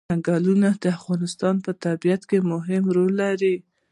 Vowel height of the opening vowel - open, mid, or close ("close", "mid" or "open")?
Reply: open